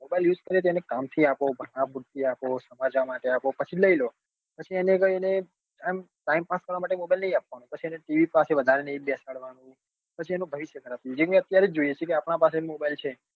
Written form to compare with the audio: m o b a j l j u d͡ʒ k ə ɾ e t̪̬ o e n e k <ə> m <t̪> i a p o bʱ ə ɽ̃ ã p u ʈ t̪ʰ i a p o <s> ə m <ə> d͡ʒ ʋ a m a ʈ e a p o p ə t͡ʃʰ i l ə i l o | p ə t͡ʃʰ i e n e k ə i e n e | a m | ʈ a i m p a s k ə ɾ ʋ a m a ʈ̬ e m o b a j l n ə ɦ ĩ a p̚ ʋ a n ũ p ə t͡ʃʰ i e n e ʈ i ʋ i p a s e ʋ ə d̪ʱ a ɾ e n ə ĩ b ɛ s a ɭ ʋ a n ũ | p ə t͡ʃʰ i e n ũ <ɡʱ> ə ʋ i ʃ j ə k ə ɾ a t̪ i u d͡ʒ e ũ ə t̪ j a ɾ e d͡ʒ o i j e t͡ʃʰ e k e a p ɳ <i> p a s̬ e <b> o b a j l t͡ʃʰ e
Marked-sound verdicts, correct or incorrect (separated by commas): incorrect, incorrect, correct, incorrect, incorrect, incorrect, incorrect